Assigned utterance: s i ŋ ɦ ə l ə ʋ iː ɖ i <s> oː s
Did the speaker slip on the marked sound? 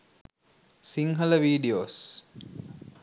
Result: yes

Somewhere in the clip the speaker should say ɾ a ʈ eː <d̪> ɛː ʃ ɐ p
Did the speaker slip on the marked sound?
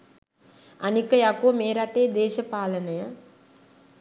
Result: no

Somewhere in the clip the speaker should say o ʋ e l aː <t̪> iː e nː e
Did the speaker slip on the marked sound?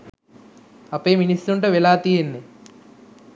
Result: no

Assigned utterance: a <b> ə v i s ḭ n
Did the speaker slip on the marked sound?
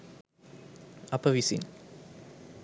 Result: yes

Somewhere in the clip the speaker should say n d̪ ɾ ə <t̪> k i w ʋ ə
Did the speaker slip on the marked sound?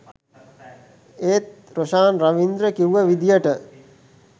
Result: yes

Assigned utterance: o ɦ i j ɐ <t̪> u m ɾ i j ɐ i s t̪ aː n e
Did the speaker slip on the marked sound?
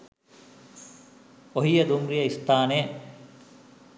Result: yes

